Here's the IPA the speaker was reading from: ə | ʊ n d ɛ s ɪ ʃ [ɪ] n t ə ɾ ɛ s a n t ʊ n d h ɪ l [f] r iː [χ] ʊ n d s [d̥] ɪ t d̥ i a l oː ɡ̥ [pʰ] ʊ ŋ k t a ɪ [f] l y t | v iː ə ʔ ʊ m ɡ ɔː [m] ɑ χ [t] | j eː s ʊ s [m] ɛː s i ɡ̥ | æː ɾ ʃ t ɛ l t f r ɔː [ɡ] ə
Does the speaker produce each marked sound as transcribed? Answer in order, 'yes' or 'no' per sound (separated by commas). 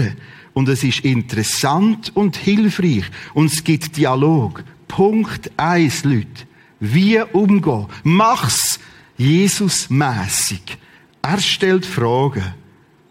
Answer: yes, yes, yes, no, yes, no, yes, no, yes, yes